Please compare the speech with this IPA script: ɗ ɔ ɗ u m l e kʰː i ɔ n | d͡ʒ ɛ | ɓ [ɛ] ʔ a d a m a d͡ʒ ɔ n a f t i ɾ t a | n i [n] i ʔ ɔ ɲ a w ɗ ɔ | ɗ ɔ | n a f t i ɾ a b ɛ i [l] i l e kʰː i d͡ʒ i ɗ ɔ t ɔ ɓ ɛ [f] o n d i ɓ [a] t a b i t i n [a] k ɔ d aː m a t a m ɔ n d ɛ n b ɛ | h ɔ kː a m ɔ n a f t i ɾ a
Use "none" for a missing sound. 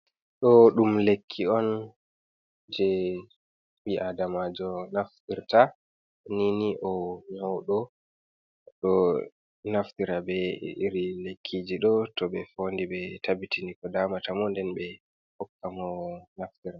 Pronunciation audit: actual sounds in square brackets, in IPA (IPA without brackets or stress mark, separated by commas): i, n, ɾ, f, ɛ, i